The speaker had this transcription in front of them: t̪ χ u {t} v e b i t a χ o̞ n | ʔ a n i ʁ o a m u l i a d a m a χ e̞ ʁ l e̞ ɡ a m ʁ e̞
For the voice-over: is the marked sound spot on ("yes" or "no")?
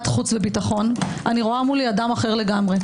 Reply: no